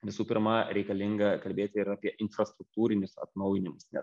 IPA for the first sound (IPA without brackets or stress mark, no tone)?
ʋʲ